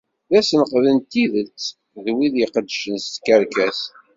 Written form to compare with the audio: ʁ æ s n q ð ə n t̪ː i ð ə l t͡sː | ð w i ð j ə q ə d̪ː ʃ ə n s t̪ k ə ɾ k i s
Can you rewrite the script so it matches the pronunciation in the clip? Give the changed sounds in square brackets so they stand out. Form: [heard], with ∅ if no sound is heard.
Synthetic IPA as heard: [ð] æ s n q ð ə n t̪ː i ð ə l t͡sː | ð w i ð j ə q ə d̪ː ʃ ə n s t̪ k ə ɾ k [æ] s

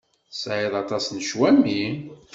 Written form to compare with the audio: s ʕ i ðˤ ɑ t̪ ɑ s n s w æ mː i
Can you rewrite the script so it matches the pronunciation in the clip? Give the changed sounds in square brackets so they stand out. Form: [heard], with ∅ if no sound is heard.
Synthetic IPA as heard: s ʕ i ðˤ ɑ t̪ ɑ s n [ʃ] w æ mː i

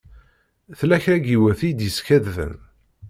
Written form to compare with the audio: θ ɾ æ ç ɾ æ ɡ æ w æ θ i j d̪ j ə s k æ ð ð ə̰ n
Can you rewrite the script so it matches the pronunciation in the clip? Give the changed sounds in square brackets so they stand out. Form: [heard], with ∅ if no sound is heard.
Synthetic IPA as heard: θ [l] æ ç ɾ æ ɡ [i] w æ θ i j d̪ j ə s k æ ð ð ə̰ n

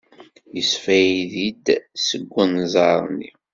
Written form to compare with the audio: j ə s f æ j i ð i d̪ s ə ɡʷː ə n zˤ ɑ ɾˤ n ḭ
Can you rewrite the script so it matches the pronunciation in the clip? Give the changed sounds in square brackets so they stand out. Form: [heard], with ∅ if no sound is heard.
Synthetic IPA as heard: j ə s f æ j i ð i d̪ s ə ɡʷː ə n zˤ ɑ ɾˤ n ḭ

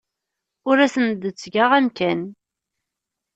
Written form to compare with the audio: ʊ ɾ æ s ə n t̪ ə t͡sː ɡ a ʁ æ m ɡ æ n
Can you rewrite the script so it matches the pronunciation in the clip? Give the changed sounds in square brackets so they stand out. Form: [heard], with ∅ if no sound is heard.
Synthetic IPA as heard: ʊ ɾ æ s ə n [d̪] ə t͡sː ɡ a ʁ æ m [k] æ n

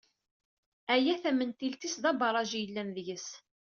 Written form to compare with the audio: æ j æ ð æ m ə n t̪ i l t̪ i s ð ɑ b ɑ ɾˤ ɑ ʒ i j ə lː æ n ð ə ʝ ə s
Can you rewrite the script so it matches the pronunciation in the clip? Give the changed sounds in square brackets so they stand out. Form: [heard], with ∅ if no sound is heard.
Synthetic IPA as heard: æ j æ [θ] æ m ə n t̪ i l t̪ i s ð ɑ b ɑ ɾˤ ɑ ʒ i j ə lː æ n ð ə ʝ ə s

